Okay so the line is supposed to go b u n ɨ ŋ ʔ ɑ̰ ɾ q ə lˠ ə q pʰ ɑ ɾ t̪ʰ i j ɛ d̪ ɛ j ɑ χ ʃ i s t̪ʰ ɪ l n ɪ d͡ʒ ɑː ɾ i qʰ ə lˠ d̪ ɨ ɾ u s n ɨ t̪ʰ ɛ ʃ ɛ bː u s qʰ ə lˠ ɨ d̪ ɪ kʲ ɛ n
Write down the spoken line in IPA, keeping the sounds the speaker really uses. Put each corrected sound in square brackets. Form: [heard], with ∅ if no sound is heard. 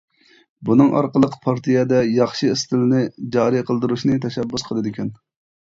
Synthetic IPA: b u n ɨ ŋ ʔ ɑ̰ ɾ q ə lˠ ə q pʰ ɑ ɾ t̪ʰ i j ɛ d̪ ɛ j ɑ χ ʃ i s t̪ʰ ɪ l n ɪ d͡ʒ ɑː ɾ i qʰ ə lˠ d̪ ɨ ɾ u [ʃ] n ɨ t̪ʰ ɛ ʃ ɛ bː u s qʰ ə lˠ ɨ d̪ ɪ kʲ ɛ n